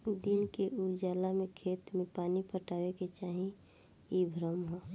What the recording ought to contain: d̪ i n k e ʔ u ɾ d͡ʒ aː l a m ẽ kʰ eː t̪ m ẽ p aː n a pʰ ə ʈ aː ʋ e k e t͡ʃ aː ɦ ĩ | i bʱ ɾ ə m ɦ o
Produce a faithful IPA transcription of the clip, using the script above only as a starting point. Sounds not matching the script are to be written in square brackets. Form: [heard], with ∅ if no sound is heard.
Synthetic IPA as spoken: d̪ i n k e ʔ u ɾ d͡ʒ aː l a m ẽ kʰ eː t̪ m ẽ p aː n [i] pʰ ə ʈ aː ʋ e k e t͡ʃ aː ɦ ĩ | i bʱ ɾ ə m ɦ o